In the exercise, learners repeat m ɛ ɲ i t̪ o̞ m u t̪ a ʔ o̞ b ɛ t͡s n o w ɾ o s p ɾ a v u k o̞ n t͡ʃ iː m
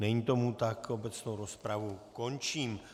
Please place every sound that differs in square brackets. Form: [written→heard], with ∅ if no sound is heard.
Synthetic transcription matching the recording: [m→n] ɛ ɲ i t̪ o̞ m u t̪ a [ʔ→k] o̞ b ɛ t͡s n o w ɾ o s p ɾ a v u k o̞ n t͡ʃ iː m